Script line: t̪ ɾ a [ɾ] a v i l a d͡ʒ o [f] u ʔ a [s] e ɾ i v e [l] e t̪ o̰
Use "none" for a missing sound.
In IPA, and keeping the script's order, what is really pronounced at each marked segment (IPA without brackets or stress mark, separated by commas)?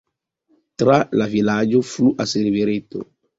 l, f, s, ɾ